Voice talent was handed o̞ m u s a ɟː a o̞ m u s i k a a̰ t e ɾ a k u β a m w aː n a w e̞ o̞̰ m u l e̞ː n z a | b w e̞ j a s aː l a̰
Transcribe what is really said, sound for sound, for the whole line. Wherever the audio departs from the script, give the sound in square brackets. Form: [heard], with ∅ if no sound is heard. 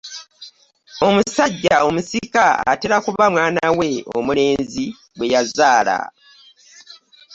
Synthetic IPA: o̞ m u s a ɟː a o̞ m u s i k a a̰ t e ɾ a k u β a m w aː n a w e̞ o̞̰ m u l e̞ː n z [i] | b w e̞ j a [z] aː l a̰